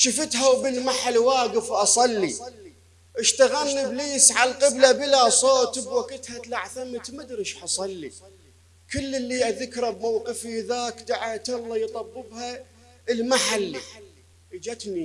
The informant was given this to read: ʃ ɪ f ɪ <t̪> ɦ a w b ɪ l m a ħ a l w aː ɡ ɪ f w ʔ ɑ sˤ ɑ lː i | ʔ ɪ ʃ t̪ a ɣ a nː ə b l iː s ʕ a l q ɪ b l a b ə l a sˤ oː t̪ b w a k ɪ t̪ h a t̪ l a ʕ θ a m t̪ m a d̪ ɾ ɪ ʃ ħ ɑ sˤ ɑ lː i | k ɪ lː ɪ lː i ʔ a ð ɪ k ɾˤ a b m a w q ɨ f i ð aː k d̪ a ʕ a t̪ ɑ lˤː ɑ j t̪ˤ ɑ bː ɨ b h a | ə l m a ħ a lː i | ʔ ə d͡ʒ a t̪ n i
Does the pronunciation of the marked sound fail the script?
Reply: no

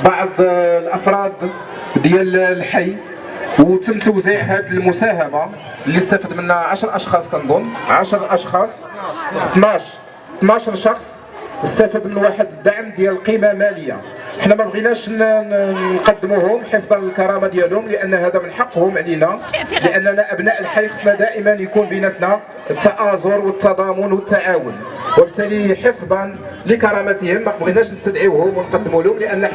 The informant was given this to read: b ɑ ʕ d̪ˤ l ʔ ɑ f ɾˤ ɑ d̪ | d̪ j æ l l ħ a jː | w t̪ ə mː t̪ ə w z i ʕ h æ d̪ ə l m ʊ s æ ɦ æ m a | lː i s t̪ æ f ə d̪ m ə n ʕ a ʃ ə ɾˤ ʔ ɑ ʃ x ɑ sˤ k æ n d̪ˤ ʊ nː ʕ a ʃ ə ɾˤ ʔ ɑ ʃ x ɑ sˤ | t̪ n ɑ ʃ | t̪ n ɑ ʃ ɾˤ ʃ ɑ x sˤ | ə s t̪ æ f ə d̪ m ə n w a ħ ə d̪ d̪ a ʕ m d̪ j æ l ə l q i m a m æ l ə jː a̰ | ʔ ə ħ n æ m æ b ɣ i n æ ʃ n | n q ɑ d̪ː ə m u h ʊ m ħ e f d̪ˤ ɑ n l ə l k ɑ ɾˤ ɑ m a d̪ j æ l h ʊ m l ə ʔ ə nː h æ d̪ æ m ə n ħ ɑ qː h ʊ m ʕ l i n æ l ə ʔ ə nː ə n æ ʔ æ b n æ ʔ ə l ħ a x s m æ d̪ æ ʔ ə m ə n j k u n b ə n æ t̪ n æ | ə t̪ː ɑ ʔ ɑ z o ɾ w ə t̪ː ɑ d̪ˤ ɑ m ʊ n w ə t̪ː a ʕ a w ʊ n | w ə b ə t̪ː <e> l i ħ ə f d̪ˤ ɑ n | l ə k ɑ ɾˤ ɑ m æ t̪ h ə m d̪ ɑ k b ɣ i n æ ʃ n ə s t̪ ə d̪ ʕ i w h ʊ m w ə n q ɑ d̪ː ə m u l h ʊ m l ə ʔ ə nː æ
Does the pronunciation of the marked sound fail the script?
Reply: yes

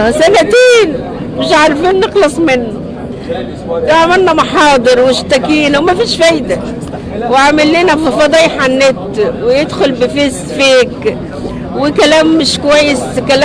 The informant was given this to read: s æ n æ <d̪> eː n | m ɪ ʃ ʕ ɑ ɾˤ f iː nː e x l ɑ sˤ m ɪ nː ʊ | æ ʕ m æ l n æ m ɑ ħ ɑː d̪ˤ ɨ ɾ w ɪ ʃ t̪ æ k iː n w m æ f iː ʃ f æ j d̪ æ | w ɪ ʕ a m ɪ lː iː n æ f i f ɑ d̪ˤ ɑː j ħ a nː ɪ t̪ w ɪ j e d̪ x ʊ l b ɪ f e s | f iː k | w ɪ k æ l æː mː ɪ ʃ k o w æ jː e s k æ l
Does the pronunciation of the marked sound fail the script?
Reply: yes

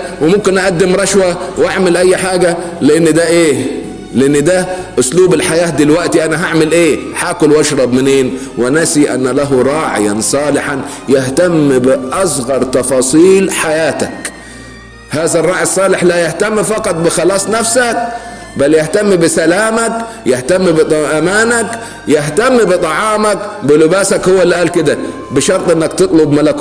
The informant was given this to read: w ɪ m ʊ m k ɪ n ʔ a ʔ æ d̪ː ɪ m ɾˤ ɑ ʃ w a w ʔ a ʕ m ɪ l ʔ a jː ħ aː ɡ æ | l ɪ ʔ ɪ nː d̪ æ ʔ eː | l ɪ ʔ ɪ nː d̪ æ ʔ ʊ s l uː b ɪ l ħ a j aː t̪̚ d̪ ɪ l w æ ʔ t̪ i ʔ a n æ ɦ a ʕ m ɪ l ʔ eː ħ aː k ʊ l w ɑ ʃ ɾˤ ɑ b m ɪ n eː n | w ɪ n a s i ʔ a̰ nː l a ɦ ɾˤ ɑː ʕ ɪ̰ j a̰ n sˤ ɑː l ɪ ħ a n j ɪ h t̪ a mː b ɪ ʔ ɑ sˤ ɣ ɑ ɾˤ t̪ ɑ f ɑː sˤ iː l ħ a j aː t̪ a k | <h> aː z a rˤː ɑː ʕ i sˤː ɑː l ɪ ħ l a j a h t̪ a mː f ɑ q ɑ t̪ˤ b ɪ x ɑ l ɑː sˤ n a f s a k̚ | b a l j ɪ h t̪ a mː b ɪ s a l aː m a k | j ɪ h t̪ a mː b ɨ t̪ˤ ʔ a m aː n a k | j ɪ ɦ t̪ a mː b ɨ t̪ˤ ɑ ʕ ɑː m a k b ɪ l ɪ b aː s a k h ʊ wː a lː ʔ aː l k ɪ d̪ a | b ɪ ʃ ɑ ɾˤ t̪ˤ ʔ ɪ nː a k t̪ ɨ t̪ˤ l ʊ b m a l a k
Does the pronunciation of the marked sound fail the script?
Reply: no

